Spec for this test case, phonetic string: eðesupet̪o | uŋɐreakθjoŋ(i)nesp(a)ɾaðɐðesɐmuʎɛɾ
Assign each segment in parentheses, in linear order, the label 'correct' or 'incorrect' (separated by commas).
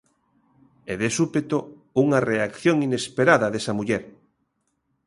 correct, incorrect